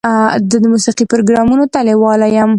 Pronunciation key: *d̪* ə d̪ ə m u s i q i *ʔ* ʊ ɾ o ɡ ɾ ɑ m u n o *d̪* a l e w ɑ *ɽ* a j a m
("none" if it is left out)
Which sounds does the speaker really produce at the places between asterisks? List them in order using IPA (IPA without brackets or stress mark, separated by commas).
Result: d̪, p, t̪, l